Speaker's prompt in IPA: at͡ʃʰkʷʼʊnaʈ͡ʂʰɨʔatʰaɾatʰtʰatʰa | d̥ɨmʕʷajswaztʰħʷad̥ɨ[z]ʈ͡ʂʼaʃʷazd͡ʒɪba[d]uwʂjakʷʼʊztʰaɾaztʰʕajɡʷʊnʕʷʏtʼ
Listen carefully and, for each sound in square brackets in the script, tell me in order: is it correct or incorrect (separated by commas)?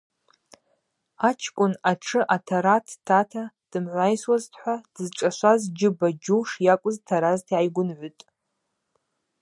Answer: correct, incorrect